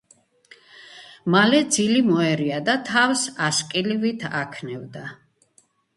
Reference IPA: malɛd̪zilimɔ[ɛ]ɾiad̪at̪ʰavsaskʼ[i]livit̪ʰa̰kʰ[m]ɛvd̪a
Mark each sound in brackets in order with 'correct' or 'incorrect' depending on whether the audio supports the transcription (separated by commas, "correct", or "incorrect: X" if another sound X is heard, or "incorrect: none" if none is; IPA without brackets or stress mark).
correct, correct, incorrect: n